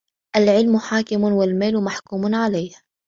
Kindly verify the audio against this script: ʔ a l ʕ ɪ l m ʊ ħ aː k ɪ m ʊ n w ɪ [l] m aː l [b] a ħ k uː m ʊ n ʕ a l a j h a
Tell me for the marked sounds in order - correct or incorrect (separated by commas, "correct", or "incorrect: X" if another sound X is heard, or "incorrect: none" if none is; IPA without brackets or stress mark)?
correct, incorrect: m